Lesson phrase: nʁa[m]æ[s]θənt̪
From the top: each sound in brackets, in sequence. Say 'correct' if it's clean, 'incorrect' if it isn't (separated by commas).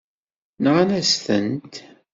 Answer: incorrect, correct